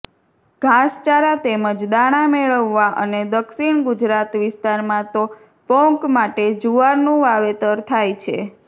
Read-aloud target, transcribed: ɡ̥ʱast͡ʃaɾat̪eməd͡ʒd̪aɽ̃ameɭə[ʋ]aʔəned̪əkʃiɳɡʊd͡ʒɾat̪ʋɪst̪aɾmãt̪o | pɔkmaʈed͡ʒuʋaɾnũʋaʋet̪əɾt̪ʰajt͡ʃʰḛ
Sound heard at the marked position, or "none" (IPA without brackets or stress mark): ʋː